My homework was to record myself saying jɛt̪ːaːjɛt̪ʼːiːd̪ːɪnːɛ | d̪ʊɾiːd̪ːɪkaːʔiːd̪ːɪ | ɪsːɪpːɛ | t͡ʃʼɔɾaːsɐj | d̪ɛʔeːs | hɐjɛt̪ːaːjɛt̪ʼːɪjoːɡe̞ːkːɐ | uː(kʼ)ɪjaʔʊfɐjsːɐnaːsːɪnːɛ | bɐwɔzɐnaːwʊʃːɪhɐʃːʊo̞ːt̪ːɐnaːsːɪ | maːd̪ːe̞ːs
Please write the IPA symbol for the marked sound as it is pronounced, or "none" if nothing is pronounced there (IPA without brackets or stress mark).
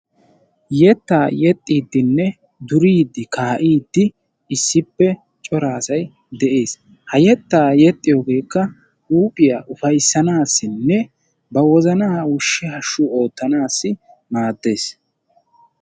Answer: pʼ